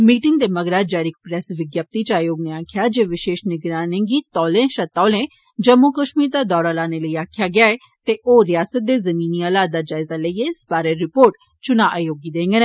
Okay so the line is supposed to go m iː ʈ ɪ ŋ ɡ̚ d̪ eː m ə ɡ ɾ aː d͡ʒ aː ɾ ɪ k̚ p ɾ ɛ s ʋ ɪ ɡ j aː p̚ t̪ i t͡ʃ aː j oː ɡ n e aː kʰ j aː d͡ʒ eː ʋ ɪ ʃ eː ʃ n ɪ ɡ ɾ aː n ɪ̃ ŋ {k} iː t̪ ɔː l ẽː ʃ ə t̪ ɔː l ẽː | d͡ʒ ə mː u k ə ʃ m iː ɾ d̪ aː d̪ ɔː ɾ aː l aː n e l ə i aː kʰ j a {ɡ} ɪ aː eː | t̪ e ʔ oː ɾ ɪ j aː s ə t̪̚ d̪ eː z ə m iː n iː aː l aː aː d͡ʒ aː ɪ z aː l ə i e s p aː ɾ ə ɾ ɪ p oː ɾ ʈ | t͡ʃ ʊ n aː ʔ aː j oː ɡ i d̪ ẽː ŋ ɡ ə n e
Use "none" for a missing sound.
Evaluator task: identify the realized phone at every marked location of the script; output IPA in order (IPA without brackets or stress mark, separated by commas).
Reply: ɡ, ɡ